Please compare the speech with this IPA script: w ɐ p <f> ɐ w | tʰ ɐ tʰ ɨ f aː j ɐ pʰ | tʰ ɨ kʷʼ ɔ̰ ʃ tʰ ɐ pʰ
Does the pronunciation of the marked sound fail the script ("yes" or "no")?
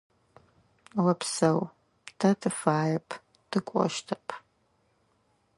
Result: yes